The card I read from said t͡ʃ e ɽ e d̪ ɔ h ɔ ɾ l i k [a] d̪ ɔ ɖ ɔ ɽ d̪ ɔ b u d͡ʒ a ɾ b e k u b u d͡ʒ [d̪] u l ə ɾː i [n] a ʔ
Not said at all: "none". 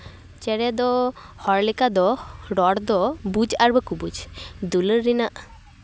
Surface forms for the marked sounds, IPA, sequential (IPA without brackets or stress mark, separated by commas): a, d̪, n